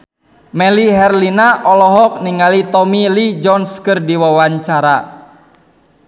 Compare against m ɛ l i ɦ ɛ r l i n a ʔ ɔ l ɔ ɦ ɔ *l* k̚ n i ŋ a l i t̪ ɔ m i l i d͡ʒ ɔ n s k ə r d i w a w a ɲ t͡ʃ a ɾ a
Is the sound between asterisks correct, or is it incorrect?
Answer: incorrect